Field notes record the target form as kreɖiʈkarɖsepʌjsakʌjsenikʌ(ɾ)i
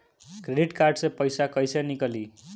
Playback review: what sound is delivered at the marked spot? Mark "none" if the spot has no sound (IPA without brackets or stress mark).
l